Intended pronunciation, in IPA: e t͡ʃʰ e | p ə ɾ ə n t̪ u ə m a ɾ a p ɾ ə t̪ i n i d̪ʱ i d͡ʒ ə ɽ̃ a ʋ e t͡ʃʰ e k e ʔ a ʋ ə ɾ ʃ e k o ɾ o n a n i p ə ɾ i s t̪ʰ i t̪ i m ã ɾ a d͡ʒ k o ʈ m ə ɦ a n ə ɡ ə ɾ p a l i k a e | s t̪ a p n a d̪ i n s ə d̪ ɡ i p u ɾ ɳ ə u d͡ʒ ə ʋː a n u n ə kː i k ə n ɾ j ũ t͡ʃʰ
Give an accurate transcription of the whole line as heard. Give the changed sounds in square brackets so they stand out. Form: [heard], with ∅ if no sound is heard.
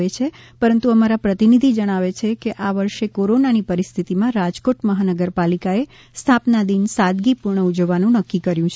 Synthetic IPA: e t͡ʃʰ e | p ə ɾ ə n t̪ u ə m a ɾ a p ɾ ə t̪ i n i d̪ʱ i d͡ʒ ə ɽ̃ a ʋ e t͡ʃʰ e k e ʔ a ʋ ə ɾ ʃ e k o ɾ o n a n i p ə ɾ i s t̪ʰ i t̪ i m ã ɾ a d͡ʒ k o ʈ m ə ɦ a n ə ɡ ə ɾ p a l i k a e | s [t̪ʰ] a p n a d̪ i n s [a] d̪ ɡ i p u ɾ ɳ ə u d͡ʒ ə ʋː a n [ũ] n ə kː i k ə [∅] ɾ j ũ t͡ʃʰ